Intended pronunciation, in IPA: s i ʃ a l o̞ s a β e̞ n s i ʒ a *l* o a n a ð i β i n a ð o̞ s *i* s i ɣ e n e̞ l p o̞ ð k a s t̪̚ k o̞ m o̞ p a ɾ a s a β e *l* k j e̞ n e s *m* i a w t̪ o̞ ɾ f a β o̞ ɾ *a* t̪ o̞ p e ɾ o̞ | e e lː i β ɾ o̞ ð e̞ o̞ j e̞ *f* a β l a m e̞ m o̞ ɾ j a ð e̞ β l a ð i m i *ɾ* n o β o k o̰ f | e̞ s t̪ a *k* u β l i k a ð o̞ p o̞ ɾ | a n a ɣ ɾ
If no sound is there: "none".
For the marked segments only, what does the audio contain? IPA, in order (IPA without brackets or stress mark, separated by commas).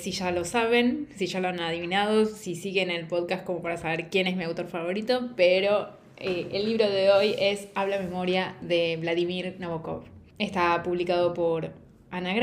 l, i, ɾ, m, i, s, ɾ, p